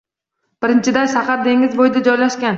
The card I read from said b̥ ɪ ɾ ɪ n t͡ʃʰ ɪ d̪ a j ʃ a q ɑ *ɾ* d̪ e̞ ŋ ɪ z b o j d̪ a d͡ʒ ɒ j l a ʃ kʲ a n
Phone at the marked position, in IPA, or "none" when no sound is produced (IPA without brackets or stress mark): ɾ